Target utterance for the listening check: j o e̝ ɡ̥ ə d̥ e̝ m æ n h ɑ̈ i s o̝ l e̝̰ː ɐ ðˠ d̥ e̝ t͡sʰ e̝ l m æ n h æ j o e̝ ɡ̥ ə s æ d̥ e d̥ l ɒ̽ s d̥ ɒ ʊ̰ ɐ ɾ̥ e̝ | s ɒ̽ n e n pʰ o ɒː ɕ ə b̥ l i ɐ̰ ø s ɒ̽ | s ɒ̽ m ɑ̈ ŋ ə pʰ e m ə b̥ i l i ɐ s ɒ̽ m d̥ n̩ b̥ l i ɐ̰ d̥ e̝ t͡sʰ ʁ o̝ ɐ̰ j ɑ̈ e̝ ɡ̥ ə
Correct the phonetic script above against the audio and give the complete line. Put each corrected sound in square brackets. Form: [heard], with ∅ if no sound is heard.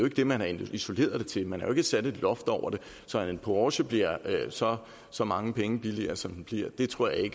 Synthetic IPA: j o e̝ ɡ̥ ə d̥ e̝ m æ n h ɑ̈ i s o̝ l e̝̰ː ɐ ðˠ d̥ e̝ t͡sʰ e̝ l m æ n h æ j o e̝ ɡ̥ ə s æ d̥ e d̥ l ɒ̽ [f] d̥ ɒ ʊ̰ ɐ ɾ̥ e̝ | s ɒ̽ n e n pʰ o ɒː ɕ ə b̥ l i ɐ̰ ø s ɒ̽ | s ɒ̽ m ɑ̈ ŋ ə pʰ e [ŋ] ə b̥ i l i ɐ s ɒ̽ m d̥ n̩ b̥ l i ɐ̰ d̥ e̝ t͡sʰ ʁ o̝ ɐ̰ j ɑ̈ e̝ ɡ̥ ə